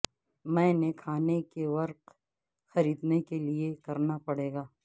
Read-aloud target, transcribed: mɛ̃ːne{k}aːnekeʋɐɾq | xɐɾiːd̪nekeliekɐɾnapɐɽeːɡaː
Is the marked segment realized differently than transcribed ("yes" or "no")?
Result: yes